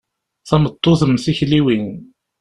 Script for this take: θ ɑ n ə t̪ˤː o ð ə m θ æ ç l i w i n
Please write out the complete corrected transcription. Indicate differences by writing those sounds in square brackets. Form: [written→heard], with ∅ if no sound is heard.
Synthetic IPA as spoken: θ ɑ [n→m] ə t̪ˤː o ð ə m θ [æ→i] ç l i w i n